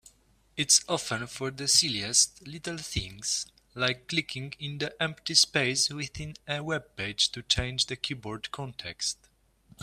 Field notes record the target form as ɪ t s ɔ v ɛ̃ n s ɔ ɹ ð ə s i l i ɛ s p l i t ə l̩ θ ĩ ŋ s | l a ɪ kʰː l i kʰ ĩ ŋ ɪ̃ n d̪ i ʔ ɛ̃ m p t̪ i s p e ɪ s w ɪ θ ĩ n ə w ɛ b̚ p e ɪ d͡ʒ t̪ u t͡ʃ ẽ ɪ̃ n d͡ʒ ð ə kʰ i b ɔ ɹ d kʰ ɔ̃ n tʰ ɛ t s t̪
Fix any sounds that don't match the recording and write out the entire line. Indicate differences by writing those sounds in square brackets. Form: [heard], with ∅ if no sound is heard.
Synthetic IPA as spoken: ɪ t s ɔ [f] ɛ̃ n [f] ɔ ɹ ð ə s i l i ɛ s [t] l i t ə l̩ θ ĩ ŋ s | l a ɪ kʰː l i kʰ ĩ ŋ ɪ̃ n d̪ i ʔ ɛ̃ m p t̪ i s p e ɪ s w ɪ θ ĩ n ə w ɛ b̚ p e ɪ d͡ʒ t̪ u t͡ʃ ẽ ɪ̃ n d͡ʒ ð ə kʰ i b ɔ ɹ d kʰ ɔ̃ n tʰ ɛ [k] s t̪